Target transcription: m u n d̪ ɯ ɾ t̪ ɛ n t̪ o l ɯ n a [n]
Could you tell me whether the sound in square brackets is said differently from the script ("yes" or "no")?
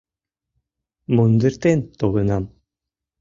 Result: yes